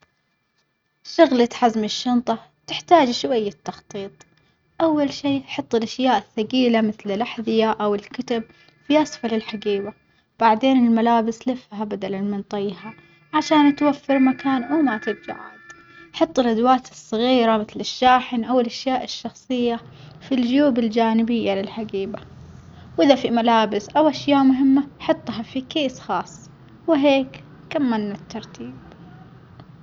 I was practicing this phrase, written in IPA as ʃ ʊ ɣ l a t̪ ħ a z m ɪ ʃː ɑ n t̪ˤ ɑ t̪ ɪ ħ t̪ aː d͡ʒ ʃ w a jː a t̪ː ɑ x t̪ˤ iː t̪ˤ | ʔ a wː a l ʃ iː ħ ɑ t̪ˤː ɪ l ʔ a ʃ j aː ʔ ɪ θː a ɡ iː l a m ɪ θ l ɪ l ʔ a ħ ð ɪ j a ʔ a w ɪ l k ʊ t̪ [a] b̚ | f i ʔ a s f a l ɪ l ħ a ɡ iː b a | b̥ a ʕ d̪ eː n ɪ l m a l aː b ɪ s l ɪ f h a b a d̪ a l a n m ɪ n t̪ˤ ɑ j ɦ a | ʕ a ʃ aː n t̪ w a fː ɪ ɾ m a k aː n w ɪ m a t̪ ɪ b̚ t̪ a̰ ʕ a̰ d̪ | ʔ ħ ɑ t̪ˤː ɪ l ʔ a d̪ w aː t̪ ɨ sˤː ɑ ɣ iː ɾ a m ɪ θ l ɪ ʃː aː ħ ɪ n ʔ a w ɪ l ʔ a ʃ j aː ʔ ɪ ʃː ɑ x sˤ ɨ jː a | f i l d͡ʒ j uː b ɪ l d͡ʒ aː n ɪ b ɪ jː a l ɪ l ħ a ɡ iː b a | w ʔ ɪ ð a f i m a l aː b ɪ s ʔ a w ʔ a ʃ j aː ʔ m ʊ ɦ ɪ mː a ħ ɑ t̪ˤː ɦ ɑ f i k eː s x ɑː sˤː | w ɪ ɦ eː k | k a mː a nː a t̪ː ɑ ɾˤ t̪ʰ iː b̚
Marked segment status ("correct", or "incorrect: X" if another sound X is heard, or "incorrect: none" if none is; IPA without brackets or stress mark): correct